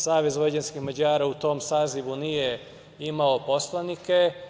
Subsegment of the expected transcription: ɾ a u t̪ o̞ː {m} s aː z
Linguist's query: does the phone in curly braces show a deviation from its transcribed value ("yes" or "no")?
no